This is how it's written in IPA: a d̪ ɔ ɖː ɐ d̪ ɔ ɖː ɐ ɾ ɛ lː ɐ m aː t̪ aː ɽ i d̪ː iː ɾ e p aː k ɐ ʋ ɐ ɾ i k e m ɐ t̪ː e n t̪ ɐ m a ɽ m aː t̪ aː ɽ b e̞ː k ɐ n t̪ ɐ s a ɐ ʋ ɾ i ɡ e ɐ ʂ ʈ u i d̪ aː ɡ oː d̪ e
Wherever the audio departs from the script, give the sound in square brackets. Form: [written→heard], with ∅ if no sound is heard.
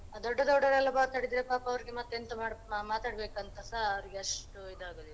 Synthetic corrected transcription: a d̪ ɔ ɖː ɐ d̪ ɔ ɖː ɐ ɾ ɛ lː ɐ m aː t̪ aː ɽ i [d̪ː→d̪] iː ɾ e p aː [k→p] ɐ ʋ ɐ ɾ i [k→ɡ] e m ɐ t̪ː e n t̪ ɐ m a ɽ m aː t̪ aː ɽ b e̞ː k ɐ n t̪ ɐ s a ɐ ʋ ɾ i ɡ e ɐ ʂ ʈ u i d̪ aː ɡ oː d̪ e